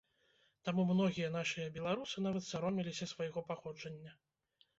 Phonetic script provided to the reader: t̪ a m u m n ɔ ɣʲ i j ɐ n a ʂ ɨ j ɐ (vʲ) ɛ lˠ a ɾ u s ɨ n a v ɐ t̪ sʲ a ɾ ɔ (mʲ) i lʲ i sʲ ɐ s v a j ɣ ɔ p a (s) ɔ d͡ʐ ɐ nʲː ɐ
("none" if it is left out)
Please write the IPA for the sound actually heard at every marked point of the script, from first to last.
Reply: bʲ, mʲ, x

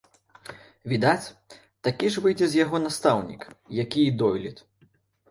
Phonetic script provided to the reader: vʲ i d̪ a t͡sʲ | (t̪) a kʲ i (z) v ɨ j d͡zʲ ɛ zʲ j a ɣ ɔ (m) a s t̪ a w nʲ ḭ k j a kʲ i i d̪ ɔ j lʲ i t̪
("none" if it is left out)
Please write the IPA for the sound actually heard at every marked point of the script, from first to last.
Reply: t̪, ʐ, n

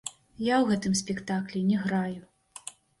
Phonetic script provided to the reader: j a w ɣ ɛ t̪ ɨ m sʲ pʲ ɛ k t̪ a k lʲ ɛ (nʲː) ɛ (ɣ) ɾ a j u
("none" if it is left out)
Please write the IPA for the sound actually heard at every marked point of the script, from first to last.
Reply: nʲ, ɣ

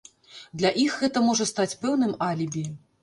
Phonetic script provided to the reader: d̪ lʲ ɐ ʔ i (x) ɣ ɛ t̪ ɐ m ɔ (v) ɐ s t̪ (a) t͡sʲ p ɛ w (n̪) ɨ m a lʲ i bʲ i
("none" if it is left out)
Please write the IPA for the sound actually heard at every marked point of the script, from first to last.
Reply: x, ʐ, a, n̪

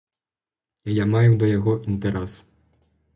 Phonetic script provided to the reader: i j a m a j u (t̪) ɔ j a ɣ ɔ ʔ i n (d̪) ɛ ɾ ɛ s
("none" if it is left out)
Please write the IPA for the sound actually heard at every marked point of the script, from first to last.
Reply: d̪, t̪

